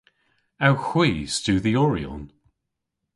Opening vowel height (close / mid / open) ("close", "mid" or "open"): open